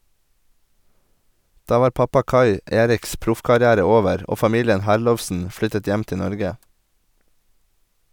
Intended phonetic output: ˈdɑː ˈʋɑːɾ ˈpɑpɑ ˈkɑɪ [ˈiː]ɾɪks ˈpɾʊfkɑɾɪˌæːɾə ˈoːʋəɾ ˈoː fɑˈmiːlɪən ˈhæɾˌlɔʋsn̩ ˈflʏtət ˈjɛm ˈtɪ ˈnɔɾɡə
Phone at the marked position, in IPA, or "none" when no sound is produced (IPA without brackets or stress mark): eː